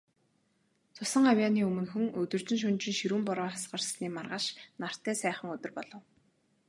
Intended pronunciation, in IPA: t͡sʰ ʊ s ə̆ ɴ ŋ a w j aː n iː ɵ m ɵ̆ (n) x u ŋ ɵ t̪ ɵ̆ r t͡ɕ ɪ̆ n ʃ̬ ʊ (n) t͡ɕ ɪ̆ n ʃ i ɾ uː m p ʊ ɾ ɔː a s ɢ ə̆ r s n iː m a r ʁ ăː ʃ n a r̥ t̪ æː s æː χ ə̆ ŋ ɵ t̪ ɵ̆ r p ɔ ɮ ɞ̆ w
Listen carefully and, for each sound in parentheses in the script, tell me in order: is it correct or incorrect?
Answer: correct, correct

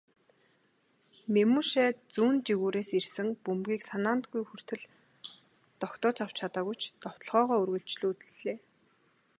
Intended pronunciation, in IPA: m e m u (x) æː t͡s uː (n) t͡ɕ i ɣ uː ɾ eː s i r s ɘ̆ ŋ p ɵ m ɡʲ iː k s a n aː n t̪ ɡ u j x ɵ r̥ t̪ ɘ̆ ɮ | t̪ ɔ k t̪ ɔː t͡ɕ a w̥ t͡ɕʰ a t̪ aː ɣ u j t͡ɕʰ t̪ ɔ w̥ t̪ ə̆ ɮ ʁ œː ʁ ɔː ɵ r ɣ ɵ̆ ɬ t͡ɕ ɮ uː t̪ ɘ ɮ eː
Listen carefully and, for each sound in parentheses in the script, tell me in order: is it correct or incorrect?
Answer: incorrect, correct

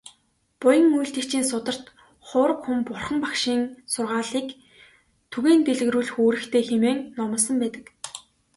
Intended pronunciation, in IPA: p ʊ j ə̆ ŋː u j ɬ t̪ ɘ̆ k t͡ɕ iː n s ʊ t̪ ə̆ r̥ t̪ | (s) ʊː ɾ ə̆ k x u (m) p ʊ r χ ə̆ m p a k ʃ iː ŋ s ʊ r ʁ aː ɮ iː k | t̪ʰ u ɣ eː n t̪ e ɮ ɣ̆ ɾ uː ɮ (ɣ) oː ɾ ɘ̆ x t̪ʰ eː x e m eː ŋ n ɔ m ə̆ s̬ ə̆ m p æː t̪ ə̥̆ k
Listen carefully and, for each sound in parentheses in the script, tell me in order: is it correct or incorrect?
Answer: incorrect, correct, incorrect

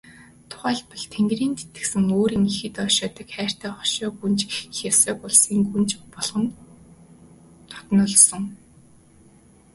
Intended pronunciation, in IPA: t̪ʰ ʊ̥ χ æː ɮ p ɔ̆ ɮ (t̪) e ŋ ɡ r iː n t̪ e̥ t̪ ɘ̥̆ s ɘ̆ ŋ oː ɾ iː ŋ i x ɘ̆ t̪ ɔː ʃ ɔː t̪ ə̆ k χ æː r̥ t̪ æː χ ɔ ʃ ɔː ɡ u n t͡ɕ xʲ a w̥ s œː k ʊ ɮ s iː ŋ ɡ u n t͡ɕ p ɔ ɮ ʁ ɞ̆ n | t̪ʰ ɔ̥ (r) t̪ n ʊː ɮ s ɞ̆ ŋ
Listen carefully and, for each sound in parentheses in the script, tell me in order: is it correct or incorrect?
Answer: incorrect, incorrect

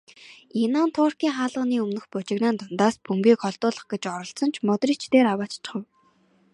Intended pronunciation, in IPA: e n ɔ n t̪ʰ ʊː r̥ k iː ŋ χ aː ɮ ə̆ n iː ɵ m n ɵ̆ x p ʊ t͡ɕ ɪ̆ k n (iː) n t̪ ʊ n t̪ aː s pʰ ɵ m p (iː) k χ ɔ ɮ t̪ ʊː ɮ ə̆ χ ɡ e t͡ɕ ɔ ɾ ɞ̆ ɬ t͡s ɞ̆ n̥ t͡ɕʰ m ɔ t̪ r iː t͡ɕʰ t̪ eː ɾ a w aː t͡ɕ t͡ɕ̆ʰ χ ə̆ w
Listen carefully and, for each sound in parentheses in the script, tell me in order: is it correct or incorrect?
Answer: incorrect, correct

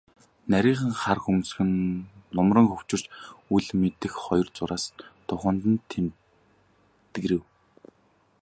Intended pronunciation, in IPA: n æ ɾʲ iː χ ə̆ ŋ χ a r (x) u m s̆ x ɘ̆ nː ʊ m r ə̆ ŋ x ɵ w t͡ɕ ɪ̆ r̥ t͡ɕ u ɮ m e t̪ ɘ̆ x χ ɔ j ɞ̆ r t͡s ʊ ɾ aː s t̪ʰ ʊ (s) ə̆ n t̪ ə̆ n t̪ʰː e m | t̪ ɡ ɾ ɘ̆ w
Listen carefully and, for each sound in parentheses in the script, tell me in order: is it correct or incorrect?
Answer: correct, incorrect

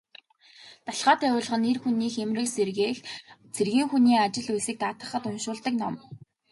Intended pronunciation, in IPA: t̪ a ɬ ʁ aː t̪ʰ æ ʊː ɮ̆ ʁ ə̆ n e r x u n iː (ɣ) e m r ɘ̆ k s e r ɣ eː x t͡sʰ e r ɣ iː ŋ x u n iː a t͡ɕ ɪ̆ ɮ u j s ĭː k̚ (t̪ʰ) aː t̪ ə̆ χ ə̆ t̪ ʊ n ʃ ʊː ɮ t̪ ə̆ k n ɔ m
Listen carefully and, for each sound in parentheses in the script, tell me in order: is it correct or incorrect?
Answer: incorrect, incorrect

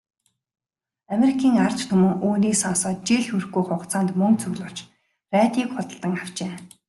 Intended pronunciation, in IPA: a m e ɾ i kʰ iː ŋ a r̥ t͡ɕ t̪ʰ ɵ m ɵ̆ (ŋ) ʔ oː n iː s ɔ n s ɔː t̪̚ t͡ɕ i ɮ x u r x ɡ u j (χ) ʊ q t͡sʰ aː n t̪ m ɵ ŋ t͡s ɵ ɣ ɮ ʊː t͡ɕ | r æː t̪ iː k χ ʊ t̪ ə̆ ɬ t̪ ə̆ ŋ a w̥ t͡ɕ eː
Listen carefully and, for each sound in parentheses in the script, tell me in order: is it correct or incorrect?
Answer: correct, correct

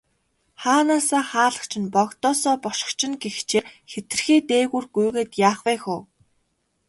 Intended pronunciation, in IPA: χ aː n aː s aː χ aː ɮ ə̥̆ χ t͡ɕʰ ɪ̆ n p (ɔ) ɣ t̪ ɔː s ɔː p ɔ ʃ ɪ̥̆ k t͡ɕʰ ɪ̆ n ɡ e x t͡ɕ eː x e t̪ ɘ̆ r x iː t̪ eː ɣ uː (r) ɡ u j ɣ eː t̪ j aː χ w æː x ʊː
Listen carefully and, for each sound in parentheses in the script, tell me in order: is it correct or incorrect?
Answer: correct, correct

